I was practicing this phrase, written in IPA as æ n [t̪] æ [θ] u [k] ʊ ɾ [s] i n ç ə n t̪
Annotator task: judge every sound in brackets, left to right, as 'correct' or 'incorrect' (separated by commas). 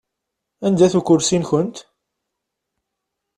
incorrect, correct, correct, correct